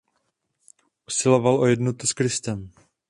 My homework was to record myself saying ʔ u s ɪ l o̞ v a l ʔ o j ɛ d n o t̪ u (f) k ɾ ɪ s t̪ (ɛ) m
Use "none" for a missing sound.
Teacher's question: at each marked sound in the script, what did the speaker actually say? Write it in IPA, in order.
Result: s, ɛ

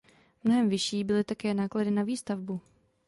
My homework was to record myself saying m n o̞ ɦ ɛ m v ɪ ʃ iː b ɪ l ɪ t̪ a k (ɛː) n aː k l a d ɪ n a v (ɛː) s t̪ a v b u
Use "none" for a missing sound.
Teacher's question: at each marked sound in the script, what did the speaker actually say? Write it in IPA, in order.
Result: ɛː, iː

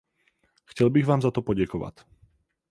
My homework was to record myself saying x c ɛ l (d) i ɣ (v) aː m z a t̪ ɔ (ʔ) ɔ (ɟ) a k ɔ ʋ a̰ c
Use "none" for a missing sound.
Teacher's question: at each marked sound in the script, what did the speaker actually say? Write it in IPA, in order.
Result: b, ʋ, p, ɟ

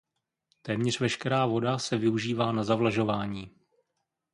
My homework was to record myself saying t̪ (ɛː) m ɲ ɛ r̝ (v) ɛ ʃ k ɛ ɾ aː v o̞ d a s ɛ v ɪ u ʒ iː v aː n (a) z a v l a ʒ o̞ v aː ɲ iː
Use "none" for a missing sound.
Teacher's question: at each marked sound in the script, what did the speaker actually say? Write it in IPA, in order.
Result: ɛː, v, a

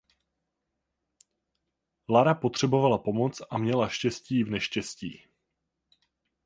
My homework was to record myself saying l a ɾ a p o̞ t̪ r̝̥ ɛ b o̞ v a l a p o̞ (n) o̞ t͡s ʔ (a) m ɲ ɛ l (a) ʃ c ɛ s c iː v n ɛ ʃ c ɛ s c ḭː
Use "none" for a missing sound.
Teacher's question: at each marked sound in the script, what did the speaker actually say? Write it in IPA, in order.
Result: m, a, a

